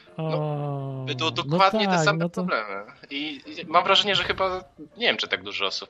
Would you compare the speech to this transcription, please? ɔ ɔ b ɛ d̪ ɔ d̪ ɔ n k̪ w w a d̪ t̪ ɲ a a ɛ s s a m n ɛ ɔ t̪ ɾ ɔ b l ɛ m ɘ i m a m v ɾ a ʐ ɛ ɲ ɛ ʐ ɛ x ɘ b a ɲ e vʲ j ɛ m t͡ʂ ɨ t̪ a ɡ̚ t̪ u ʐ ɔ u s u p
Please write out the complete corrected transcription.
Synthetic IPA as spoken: ɔ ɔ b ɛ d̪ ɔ d̪ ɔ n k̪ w w a d̪ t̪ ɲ ɛ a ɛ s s a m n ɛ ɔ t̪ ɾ ɔ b l ɛ m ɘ i m a m v ɾ a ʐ ɛ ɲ ɛ ʐ ɛ x ɘ b a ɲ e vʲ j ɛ m t͡ʂ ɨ t̪ a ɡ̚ d̪ u ʐ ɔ ɔ s u p